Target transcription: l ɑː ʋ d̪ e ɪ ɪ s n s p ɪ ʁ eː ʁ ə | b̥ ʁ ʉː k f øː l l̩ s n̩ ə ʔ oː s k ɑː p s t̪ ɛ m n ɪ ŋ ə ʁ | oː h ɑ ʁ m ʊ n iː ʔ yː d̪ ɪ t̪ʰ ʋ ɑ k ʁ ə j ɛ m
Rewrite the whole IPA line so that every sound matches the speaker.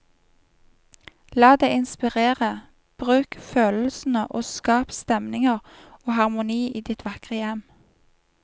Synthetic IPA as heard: l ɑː d̪ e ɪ ɪ n s p ɪ ʁ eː ʁ ə | b̥ ʁ ʉː k f øː l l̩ s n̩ ə ʔ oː s k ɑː p s t̪ ɛ m n ɪ ŋ ə ʁ | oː h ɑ ʁ m ʊ n iː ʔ iː d̪ ɪ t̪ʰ ʋ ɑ k ʁ ə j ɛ m